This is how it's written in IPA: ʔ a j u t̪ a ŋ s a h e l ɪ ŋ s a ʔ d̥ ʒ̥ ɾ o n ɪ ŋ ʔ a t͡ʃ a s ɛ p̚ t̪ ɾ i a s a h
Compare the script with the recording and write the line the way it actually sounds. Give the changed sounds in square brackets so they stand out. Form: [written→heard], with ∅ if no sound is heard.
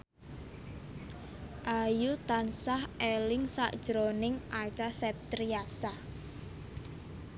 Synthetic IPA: ʔ a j u t̪ a [ŋ→n] s a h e l ɪ ŋ s a ʔ d̥ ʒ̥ ɾ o n ɪ ŋ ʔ a t͡ʃ a s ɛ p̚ t̪ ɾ i a s a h